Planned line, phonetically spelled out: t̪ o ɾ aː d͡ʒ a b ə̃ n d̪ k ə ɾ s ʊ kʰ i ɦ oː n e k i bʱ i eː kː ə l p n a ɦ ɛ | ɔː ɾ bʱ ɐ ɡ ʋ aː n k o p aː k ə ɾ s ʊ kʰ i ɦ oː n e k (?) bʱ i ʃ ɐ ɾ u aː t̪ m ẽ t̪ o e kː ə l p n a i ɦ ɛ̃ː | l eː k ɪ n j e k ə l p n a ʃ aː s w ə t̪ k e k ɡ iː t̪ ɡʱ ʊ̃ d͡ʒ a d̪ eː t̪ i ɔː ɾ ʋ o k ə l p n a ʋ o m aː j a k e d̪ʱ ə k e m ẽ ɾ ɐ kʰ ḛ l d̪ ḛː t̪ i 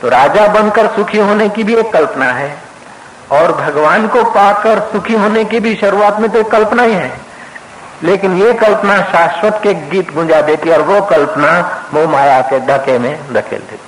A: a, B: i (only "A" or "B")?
B